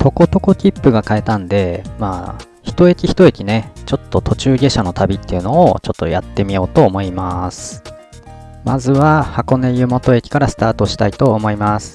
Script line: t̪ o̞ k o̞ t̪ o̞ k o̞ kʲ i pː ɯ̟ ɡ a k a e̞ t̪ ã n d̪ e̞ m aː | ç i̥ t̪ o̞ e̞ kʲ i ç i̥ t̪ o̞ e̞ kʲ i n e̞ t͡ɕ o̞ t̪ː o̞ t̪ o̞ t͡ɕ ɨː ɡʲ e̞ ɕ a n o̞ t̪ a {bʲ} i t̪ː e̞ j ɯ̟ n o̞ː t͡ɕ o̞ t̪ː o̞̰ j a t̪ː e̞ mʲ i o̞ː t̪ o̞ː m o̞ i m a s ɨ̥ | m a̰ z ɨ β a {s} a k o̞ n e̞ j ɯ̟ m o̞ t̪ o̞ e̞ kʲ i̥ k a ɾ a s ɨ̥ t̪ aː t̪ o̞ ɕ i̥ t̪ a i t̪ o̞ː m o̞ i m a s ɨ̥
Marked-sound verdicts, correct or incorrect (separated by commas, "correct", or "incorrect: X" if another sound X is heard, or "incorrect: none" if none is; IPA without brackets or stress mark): correct, incorrect: h